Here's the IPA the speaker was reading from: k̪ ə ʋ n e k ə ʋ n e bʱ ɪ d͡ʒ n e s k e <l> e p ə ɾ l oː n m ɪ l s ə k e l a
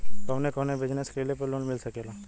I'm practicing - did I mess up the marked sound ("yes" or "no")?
no